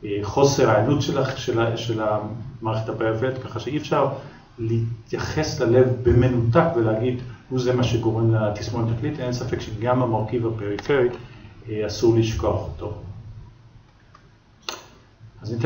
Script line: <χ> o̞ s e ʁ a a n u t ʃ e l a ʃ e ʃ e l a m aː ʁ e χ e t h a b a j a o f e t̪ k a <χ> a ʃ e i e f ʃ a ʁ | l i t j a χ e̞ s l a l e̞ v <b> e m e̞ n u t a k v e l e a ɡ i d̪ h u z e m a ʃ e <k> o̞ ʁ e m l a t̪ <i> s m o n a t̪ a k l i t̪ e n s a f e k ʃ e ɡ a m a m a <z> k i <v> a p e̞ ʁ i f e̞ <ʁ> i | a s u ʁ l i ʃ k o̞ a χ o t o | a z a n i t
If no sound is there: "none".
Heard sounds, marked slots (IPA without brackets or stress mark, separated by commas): χ, χ, b, ɡ, i, ʁ, v, ʁ